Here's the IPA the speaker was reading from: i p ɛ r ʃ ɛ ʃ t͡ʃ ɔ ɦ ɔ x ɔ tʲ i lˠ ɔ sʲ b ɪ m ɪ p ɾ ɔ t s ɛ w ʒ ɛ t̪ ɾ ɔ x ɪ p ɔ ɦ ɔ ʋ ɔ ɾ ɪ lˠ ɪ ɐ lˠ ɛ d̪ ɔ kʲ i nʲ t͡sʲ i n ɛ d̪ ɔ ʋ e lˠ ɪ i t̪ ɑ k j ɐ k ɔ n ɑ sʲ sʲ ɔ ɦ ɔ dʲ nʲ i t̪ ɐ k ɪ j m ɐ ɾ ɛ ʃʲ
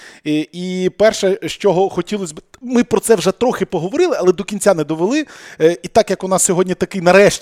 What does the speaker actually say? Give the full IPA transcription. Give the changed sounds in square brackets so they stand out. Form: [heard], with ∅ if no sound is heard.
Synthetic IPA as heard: i p ɛ r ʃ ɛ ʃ t͡ʃ ɔ ɦ ɔ x ɔ tʲ i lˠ ɔ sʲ b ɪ m ɪ p ɾ ɔ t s ɛ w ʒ ɛ t̪ ɾ ɔ x ɪ p ɔ ɦ ɔ ʋ ɔ ɾ ɪ lˠ ɪ ɐ lˠ ɛ d̪ ɔ kʲ i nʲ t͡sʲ [a] n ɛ d̪ ɔ ʋ e lˠ ɪ i t̪ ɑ k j ɐ k ɔ n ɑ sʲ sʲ ɔ ɦ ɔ dʲ nʲ i t̪ ɐ k ɪ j [n] ɐ ɾ ɛ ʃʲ